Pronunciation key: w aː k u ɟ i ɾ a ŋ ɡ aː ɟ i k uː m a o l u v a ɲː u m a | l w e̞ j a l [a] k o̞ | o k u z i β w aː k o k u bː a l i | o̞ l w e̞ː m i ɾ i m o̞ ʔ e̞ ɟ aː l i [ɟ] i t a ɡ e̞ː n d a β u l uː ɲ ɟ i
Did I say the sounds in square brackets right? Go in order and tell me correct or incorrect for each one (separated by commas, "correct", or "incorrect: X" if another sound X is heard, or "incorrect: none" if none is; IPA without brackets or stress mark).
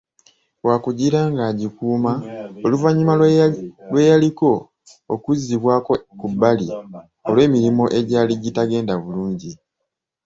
incorrect: i, correct